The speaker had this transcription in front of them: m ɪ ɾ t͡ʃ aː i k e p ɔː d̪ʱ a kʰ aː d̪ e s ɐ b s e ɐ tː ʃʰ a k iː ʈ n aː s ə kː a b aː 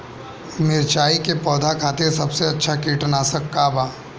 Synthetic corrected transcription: m ɪ ɾ t͡ʃ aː i k e p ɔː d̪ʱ a kʰ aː t̪ e s ɐ b s e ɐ tː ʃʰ a k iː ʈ n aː s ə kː a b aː